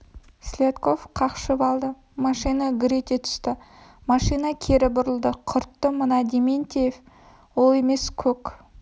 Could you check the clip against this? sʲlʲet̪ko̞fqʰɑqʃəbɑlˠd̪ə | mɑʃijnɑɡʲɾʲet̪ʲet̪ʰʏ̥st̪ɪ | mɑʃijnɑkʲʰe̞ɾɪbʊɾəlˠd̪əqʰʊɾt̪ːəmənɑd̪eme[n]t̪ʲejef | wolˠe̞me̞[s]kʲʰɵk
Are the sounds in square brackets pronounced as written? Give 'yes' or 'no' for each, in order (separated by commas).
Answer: yes, yes